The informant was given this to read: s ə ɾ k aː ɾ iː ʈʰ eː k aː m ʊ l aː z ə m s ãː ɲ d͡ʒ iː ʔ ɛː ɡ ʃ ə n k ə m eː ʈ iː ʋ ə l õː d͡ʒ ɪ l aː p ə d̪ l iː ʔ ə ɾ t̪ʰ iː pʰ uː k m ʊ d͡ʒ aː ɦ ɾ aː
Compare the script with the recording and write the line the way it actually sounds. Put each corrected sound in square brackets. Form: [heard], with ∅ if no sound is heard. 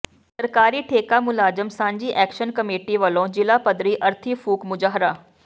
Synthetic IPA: s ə ɾ k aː ɾ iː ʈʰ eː k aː m ʊ l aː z ə m s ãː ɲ d͡ʒ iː ʔ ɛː [k] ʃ ə n k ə m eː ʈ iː ʋ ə l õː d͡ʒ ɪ l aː p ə d̪ [ɾ] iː ʔ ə ɾ t̪ʰ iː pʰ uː k m ʊ d͡ʒ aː ɦ ɾ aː